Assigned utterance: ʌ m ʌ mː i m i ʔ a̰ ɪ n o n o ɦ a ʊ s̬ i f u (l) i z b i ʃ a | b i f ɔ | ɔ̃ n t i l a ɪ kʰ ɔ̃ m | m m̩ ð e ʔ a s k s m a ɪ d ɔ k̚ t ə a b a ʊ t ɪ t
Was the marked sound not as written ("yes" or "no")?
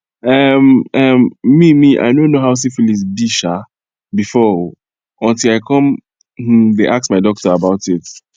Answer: no